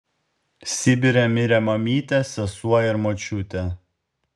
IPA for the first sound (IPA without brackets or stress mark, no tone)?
sʲ